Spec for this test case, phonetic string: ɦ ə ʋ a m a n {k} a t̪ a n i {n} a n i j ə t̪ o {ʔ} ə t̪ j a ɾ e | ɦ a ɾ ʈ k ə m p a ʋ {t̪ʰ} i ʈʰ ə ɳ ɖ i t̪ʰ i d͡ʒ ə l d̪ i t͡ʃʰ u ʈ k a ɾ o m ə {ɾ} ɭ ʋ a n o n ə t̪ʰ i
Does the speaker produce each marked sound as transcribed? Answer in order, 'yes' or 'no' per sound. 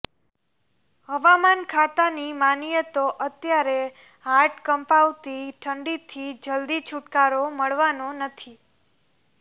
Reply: no, no, yes, no, no

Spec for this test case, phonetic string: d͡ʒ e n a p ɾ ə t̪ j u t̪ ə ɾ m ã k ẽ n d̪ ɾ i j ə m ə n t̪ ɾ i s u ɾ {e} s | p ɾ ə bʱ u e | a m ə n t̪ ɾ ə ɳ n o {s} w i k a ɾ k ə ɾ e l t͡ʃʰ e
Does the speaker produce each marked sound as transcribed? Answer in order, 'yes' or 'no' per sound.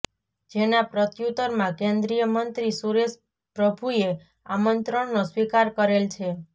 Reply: yes, yes

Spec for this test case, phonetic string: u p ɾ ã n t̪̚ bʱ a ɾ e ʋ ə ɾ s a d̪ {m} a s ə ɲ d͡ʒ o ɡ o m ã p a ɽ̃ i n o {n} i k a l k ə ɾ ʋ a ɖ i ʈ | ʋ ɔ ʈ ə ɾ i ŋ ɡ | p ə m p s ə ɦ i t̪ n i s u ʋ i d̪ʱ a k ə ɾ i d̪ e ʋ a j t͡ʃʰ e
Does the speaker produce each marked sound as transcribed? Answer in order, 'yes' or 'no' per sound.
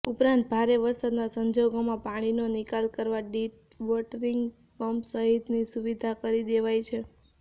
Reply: no, yes

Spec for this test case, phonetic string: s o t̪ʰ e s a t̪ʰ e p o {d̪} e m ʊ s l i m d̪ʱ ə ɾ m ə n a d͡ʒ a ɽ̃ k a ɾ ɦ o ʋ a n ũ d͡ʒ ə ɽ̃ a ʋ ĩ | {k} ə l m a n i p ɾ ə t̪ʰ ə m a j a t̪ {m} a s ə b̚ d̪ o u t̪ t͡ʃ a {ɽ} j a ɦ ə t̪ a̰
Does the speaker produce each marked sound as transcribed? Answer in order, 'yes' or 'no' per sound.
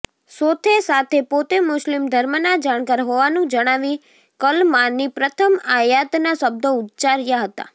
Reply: no, yes, no, no

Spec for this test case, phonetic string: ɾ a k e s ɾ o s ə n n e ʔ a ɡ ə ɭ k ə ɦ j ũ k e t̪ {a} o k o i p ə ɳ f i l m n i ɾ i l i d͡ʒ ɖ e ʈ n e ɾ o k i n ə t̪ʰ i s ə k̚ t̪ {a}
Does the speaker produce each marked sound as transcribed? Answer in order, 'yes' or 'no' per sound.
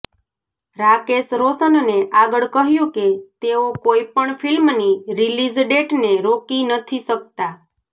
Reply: no, yes

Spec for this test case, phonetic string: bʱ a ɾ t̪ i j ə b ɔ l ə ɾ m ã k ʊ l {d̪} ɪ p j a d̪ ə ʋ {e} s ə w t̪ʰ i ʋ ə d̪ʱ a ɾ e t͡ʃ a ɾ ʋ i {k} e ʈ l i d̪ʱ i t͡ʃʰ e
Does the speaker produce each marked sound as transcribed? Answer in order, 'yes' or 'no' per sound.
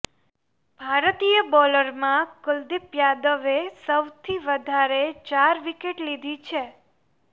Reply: yes, yes, yes

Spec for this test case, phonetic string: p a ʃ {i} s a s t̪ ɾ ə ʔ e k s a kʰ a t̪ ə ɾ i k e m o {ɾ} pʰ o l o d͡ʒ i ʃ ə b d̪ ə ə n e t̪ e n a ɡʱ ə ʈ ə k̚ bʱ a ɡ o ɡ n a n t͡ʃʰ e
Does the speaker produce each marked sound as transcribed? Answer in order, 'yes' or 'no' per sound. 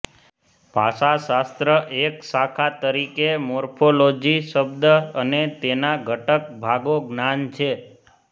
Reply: no, yes

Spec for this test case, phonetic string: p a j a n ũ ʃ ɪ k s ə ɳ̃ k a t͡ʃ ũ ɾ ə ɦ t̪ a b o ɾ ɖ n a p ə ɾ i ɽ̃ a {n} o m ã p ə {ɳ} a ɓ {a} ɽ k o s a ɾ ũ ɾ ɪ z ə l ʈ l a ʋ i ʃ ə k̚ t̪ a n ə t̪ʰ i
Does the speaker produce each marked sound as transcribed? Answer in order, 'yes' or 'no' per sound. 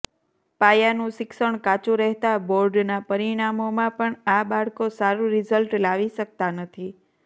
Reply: no, yes, yes

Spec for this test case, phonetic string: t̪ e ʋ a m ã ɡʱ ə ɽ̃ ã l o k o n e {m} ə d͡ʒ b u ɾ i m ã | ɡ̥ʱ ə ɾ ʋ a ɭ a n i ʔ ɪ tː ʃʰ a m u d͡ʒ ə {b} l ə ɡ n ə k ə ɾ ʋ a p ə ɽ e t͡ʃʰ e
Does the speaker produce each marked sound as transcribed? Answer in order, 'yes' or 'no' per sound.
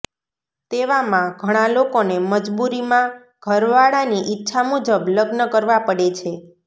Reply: yes, yes

